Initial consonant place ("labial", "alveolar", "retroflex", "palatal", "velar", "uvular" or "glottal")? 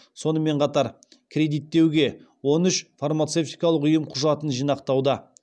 alveolar